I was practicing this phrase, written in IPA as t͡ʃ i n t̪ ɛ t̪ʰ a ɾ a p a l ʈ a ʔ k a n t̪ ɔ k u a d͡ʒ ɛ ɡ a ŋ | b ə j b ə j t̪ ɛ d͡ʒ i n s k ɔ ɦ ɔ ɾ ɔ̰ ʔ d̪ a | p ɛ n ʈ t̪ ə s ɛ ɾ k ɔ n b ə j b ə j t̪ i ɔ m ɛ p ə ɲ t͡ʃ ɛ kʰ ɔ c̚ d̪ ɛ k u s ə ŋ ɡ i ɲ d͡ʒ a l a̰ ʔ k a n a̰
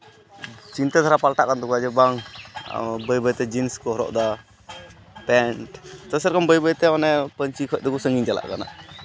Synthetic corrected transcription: t͡ʃ i n t̪ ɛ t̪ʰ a ɾ a p a l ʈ a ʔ k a n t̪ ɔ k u a d͡ʒ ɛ b a ŋ | b ə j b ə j t̪ ɛ d͡ʒ i n s k ɔ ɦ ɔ ɾ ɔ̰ ʔ d̪ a | p ɛ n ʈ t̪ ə s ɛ ɾ k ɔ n b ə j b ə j t̪ ɛ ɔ n ɛ p ə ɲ t͡ʃ i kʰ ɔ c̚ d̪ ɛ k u s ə ŋ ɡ i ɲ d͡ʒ a l a̰ ʔ k a n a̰